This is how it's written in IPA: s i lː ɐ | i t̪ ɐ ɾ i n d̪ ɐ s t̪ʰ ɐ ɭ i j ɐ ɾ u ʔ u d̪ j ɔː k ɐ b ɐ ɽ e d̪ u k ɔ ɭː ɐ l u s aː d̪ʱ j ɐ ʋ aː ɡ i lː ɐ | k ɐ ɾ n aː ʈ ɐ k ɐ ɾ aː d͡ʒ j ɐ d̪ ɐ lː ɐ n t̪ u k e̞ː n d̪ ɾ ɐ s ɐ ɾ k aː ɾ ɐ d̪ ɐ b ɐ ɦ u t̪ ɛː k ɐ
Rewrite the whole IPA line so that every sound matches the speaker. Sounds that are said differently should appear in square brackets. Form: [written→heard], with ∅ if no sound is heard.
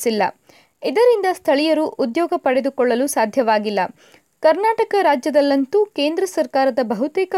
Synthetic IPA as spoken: s i lː ɐ | i [t̪→d̪] ɐ ɾ i n d̪ ɐ s t̪ʰ ɐ ɭ i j ɐ ɾ u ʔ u d̪ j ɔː [k→ɡ] ɐ [b→p] ɐ ɽ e d̪ u k ɔ ɭː ɐ l u s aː d̪ʱ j ɐ ʋ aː ɡ i lː ɐ | k ɐ ɾ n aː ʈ ɐ k ɐ ɾ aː d͡ʒ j ɐ d̪ ɐ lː ɐ n t̪ u k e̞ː n d̪ ɾ ɐ s ɐ ɾ k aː ɾ ɐ d̪ ɐ b ɐ ɦ u t̪ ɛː k ɐ